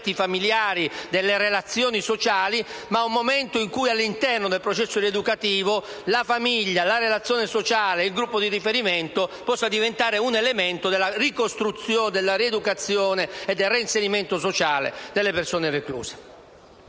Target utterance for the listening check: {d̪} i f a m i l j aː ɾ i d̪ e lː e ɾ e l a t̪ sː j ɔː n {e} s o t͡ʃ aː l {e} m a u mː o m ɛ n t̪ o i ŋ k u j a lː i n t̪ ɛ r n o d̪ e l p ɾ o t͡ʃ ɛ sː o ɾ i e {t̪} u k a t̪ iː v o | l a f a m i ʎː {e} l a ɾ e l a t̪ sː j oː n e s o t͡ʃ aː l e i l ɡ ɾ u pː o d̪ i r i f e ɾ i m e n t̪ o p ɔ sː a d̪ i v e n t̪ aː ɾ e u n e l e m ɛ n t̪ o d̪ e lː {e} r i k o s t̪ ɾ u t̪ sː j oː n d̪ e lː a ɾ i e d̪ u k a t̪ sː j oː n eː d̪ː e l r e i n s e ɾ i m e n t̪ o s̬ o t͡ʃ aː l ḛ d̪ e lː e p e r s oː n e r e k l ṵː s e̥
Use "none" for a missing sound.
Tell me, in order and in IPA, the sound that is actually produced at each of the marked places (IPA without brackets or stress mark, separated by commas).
t̪, i, i, d̪, a, a